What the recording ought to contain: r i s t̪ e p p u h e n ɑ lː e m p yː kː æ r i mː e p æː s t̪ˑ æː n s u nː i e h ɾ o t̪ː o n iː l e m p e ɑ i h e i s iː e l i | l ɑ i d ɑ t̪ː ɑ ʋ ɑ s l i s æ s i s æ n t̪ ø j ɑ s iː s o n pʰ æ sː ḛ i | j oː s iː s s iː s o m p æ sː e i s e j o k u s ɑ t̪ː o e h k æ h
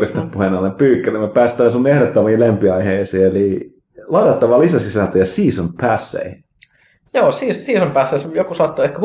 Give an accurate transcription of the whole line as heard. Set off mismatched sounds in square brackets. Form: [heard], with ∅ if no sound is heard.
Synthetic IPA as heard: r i s t̪ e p p u h e n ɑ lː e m p yː kː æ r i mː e p æː s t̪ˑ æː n s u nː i e h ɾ o t̪ː o [m] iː l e m p [i] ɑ i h e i s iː e l i | l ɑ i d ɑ t̪ː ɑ ʋ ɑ [∅] l i s æ s i s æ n t̪ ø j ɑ s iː s o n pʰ æ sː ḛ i | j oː s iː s s iː s o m p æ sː e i s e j o k u s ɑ t̪ː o e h k æ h